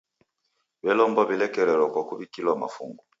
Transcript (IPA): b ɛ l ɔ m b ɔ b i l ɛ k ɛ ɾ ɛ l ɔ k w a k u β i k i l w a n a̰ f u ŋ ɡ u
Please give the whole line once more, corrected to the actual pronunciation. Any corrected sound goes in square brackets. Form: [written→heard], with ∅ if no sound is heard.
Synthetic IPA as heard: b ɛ l ɔ m b ɔ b i l ɛ k ɛ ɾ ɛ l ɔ k w a k u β i k i l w a [n→m] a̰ f u ŋ ɡ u